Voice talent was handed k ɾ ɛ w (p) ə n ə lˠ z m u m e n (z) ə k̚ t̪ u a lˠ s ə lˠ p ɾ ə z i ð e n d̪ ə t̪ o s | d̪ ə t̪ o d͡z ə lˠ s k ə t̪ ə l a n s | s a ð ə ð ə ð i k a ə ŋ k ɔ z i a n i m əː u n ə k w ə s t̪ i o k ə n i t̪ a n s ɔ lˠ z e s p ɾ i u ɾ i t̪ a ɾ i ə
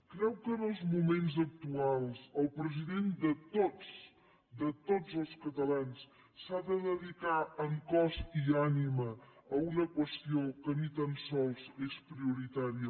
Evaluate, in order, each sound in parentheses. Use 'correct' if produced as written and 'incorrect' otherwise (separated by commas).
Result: incorrect, correct